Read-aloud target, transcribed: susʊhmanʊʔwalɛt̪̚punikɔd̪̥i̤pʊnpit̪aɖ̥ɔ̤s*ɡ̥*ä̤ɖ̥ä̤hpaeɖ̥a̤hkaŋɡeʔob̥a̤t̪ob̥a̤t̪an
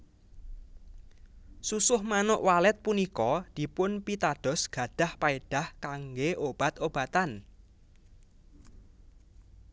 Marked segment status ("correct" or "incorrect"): correct